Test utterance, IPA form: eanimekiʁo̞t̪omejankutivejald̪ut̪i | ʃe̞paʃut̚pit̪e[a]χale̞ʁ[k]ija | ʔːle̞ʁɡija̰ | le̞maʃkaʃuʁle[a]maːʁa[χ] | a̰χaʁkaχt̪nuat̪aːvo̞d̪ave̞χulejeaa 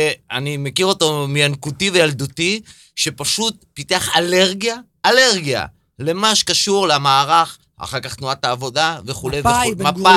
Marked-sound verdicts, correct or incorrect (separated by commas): correct, incorrect, correct, correct